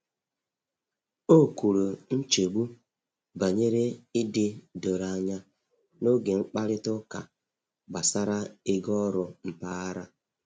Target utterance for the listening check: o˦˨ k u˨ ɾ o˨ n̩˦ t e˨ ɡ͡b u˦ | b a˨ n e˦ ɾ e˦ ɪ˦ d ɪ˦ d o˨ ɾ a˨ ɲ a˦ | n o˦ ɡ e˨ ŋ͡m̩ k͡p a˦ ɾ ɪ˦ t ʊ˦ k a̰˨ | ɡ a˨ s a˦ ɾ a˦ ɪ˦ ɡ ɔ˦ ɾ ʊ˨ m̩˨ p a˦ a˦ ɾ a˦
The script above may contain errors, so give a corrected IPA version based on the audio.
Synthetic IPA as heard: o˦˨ k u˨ ɾ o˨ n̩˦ t͡ʃ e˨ ɡ͡b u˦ | b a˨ ɲ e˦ ɾ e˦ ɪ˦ d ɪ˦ d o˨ ɾ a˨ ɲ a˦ | n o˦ ɡ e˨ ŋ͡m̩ k͡p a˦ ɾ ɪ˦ t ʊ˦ k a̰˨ | ɡ͡b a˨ s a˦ ɾ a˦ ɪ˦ ɡ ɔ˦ ɾ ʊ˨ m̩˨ p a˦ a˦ ɾ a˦